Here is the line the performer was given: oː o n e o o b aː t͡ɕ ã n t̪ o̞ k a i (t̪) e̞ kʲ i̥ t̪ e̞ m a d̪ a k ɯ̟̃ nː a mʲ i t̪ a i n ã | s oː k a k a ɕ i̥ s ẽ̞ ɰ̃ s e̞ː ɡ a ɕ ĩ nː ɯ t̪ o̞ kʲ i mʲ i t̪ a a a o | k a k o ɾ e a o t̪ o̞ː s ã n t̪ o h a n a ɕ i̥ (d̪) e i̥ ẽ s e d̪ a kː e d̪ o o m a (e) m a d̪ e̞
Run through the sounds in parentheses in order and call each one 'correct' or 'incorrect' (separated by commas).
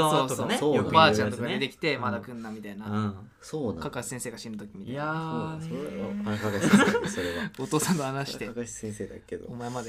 incorrect, incorrect, correct